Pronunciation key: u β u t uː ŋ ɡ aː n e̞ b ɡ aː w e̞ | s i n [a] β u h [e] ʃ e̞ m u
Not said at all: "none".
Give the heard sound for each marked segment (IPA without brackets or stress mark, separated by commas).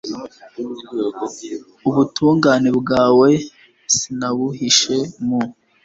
a, i